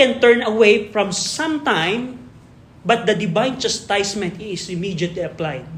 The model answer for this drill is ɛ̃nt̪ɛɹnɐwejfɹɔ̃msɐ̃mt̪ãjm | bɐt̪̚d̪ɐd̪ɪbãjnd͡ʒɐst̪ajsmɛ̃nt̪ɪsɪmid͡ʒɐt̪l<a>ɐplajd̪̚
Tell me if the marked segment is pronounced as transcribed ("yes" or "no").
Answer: no